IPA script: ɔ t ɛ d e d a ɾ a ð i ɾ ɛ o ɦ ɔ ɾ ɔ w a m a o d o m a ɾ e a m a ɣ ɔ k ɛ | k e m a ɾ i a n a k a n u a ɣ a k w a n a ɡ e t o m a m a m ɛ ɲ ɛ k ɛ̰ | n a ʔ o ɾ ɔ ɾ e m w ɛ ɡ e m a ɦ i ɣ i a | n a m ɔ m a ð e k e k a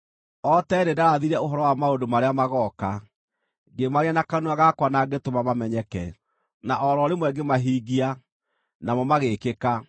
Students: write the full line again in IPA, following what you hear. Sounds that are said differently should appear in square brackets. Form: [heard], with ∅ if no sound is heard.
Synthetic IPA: ɔ t ɛ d e d a ɾ a ð i ɾ ɛ o ɦ ɔ ɾ ɔ w a m a o d o m a ɾ e a m a ɣ ɔ k [a] | [ɡ] e m a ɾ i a n a k a n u a ɣ a k w a n a ɡ e t o m a m a m ɛ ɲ ɛ k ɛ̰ | n a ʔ [ɔ] ɾ ɔ ɾ e m w ɛ ɡ e m a ɦ i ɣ i a | n a m ɔ m a [ɣ] e k e k a